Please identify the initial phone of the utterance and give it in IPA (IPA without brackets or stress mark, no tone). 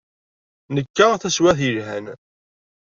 n